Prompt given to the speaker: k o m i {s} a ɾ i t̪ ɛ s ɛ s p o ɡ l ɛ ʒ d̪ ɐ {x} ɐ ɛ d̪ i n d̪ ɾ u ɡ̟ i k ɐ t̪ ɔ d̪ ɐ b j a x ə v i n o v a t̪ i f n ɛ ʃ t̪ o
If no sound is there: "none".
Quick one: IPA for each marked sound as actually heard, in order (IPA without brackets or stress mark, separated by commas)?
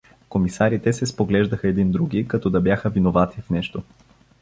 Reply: s, x